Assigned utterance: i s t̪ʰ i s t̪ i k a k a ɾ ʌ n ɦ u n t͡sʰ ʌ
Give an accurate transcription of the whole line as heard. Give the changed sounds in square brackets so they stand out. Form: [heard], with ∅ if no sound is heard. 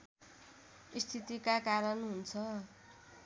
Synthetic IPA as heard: i s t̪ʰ i [∅] t̪ i k a k a ɾ ʌ n ɦ u n t͡sʰ ʌ